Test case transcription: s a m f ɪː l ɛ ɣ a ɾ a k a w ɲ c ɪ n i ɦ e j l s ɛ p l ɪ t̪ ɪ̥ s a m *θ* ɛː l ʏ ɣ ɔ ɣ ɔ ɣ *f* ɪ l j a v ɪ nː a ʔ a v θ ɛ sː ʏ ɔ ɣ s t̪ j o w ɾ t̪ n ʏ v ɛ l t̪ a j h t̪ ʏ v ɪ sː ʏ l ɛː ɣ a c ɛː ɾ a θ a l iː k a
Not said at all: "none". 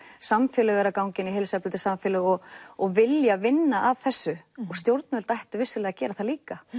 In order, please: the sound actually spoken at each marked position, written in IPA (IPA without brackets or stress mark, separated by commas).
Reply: f, v